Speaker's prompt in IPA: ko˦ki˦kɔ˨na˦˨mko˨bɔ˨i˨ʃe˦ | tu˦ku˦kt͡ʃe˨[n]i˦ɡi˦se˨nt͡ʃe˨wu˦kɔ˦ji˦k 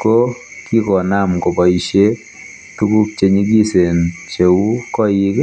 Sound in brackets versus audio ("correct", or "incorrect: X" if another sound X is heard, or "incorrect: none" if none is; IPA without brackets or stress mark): incorrect: ɲ